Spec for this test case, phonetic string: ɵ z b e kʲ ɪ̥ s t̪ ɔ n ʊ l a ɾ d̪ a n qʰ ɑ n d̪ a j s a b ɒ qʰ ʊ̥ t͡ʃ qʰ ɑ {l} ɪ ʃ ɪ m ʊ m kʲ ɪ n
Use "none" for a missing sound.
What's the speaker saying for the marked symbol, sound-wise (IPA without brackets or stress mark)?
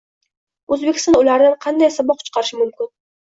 ɾ